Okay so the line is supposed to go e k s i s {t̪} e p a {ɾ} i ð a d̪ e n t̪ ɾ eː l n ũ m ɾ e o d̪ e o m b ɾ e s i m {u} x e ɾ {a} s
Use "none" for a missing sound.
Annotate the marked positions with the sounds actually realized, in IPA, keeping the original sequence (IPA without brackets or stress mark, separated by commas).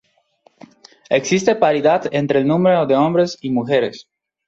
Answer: t̪, ɾ, u, e